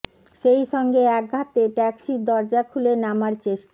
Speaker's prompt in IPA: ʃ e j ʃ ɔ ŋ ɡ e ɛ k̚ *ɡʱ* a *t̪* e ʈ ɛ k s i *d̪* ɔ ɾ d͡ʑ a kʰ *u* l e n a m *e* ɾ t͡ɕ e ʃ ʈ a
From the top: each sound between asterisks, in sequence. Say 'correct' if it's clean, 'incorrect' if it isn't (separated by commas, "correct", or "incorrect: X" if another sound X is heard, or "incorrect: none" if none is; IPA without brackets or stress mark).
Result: correct, correct, correct, correct, incorrect: a